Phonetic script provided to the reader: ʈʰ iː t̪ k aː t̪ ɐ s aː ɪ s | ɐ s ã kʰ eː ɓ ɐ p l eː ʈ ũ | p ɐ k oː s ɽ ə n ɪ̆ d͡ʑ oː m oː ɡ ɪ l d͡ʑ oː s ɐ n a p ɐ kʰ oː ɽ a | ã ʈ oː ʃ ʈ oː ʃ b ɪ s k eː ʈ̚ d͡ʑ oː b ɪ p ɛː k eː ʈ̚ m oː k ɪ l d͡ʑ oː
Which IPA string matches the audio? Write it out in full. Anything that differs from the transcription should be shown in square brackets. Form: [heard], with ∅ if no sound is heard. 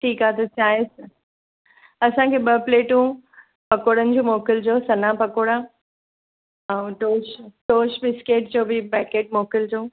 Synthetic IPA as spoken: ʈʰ iː [∅] k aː t̪ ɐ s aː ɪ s | ɐ s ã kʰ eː ɓ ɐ p l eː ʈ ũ | p ɐ k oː [∅] ɽ ə n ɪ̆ d͡ʑ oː m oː [k] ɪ l d͡ʑ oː s ɐ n a p ɐ [k] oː ɽ a | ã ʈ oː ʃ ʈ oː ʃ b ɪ s k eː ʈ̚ d͡ʑ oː b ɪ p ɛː k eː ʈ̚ m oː k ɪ l d͡ʑ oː